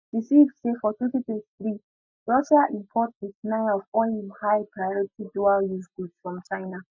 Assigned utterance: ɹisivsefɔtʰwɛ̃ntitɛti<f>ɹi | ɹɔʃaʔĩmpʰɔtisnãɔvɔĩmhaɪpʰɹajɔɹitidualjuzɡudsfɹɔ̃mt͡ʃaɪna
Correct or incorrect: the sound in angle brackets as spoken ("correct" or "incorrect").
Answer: incorrect